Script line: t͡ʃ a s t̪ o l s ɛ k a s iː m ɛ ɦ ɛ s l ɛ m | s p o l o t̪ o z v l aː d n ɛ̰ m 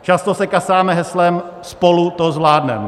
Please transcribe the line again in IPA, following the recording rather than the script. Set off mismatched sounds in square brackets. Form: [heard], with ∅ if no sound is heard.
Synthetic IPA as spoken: t͡ʃ a s t̪ o [∅] s ɛ k a s [aː] m ɛ ɦ ɛ s l ɛ m | s p o l [u] t̪ o z v l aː d n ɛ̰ m

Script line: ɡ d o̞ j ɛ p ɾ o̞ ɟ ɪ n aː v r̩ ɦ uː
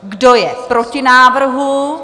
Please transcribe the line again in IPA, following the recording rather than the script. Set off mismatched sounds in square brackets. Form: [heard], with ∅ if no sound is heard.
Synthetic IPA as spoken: ɡ d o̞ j ɛ p ɾ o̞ [c] ɪ n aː v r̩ ɦ [u]

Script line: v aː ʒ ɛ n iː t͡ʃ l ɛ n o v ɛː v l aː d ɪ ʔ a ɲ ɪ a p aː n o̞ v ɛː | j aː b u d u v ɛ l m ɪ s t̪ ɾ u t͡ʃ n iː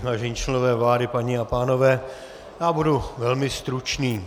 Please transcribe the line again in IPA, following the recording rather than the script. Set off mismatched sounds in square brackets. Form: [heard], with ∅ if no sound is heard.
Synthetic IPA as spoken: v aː ʒ ɛ [ɲ] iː t͡ʃ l ɛ n o v ɛː v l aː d ɪ [p] a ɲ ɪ a p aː n o̞ v ɛː | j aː b u d u v ɛ l m ɪ s t̪ ɾ u t͡ʃ n iː

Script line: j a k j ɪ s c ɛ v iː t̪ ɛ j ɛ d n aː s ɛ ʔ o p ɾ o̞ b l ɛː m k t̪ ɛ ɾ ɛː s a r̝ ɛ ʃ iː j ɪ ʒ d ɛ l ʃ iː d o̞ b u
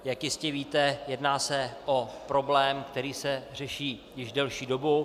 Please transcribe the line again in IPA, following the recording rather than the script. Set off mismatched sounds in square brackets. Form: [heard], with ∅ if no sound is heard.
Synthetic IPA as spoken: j a k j ɪ s c ɛ v iː t̪ ɛ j ɛ d n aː s ɛ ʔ o p ɾ o̞ b l ɛː m k t̪ ɛ ɾ [iː] s [ɛ] r̝ ɛ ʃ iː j ɪ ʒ d ɛ l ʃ iː d o̞ b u

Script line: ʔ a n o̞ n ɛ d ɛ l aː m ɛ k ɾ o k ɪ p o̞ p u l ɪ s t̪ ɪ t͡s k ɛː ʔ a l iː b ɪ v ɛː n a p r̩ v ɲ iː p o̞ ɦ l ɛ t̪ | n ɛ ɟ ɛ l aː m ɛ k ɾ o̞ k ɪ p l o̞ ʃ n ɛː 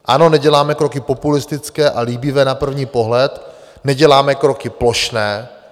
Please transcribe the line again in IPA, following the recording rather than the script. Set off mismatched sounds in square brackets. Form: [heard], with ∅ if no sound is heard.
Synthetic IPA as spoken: ʔ a n o̞ n ɛ [ɟ] ɛ l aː m ɛ k ɾ o k ɪ p o̞ p u l ɪ s t̪ ɪ t͡s k ɛː ʔ a l iː b ɪ v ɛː n a p r̩ v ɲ iː p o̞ ɦ l ɛ t̪ | n ɛ ɟ ɛ l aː m ɛ k ɾ o̞ k ɪ p l o̞ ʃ n ɛː

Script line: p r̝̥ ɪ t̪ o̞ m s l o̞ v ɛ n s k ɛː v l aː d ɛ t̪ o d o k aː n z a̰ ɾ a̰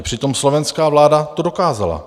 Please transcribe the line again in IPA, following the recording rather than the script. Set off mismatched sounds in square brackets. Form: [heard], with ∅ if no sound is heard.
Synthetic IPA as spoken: p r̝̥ ɪ t̪ o̞ m s l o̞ v ɛ n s k [aː] v l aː d [a] t̪ o d o k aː [∅] z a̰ [l] a̰

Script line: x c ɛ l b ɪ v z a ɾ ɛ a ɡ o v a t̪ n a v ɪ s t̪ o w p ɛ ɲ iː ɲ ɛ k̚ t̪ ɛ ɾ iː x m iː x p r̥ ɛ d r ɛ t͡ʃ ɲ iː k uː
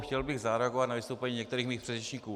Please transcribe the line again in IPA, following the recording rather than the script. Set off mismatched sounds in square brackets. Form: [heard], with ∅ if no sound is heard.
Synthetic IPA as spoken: x c ɛ l b ɪ [ɣ] z a ɾ ɛ a ɡ o v a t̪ n a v ɪ s t̪ o w p ɛ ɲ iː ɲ ɛ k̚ t̪ ɛ ɾ iː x m iː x p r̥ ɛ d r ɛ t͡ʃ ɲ iː k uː

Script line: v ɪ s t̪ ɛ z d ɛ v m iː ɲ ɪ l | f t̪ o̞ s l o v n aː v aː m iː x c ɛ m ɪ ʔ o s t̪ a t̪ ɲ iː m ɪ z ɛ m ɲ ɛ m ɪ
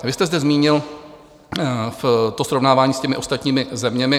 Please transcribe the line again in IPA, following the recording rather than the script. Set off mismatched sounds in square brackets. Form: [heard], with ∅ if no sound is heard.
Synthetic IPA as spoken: v ɪ s t̪ ɛ z d ɛ [z] m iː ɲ ɪ l | f t̪ o̞ s [ɾ] o v n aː v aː [ɲ] iː [s] c ɛ m ɪ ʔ o s t̪ a t̪ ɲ iː m ɪ z ɛ m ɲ ɛ m ɪ

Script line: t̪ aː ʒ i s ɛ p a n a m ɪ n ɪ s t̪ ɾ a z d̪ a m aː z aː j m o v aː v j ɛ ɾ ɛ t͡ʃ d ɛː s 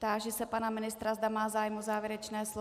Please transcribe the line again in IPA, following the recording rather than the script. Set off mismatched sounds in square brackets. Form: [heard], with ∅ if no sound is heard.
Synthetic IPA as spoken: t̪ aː ʒ [ɛ] s ɛ p a n a m ɪ n ɪ s t̪ ɾ a z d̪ a m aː z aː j m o [z] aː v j ɛ ɾ ɛ t͡ʃ [n] ɛː s

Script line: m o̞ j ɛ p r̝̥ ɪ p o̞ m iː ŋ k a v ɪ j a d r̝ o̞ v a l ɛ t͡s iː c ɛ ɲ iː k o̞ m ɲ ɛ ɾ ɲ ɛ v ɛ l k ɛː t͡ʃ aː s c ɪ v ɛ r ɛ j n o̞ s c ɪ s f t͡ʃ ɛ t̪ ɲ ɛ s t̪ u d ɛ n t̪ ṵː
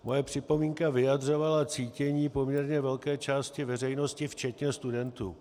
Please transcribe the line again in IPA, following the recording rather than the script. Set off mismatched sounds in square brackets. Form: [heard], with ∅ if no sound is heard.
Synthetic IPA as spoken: m o̞ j ɛ p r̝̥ ɪ p o̞ m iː ŋ k a v ɪ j a d r̝ o̞ v a l [a] t͡s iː c ɛ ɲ iː [p] o̞ m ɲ ɛ ɾ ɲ ɛ v ɛ l k ɛː t͡ʃ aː s c ɪ v ɛ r ɛ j n o̞ s c ɪ [∅] f t͡ʃ ɛ t̪ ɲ ɛ s t̪ u d ɛ n t̪ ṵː

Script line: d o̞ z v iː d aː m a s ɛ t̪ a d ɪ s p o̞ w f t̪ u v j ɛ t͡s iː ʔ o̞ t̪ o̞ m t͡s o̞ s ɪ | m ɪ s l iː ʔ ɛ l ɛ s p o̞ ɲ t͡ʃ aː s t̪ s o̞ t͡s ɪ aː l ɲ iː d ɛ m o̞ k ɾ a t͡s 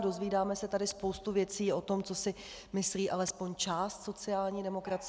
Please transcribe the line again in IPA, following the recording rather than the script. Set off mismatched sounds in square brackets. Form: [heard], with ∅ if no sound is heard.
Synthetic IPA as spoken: d o̞ z v iː d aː m [ɛ] s ɛ t̪ a d ɪ s p o̞ w [s] t̪ u v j ɛ t͡s iː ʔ o̞ t̪ o̞ m t͡s o̞ s ɪ | m ɪ s l iː ʔ [a] l ɛ s p o̞ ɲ t͡ʃ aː s t̪ s o̞ t͡s ɪ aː l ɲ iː d ɛ m o̞ k ɾ a t͡s

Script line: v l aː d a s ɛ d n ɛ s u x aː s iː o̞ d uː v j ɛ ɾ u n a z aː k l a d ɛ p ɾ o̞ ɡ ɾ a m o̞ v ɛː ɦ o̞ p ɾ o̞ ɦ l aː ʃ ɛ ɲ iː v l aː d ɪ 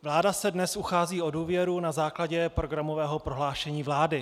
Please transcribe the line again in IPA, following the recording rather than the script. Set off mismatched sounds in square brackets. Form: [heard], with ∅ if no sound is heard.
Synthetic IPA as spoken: v l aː d a s ɛ d n ɛ s u x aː [z] iː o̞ d uː v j ɛ ɾ u n a z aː k l a [ɟ] ɛ p ɾ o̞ ɡ ɾ a m o̞ v ɛː ɦ o̞ p ɾ o̞ ɦ l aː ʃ ɛ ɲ iː v l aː d ɪ

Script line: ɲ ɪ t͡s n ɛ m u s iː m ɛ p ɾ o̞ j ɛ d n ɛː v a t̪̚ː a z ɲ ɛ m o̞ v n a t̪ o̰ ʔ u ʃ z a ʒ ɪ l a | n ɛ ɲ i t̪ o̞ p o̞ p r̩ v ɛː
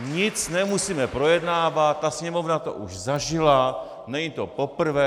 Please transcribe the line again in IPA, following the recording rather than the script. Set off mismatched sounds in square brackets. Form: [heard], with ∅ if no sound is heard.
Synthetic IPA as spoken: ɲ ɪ t͡s n ɛ m u s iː m ɛ p ɾ o̞ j ɛ d n [aː] v a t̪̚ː a [s] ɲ ɛ m o̞ v n a t̪ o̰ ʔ u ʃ z a ʒ ɪ l a | n ɛ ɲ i t̪ o̞ p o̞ p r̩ v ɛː

